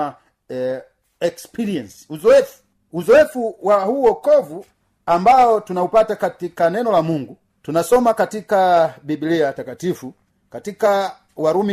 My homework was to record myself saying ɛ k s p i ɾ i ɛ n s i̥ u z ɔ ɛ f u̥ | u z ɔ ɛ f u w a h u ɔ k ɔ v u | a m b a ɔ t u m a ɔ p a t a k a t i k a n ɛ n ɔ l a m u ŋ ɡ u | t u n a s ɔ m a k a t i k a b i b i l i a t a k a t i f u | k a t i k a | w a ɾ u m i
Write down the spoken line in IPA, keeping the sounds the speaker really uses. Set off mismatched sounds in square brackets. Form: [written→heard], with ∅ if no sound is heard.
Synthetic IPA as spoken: ɛ k s p i ɾ i ɛ n s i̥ u z ɔ ɛ f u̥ | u z ɔ ɛ f u w a h u ɔ k ɔ v u | a m b a ɔ t u [m→n] a [ɔ→u] p a t a k a t i k a n ɛ n ɔ l a m u ŋ ɡ u | t u n a s ɔ m a k a t i k a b i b i l i a t a k a t i f u | k a t i k a | w a ɾ u m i